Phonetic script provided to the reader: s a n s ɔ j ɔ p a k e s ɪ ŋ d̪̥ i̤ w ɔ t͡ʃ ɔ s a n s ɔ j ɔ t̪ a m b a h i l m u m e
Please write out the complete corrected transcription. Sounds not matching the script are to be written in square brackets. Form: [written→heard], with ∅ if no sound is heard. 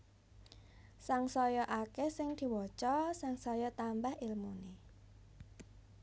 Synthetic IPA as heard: s a [n→ŋ] s ɔ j ɔ [p→ʔ] a k e s ɪ ŋ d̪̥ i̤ w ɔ t͡ʃ ɔ s a [n→ŋ] s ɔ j ɔ t̪ a m b a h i l m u [m→n] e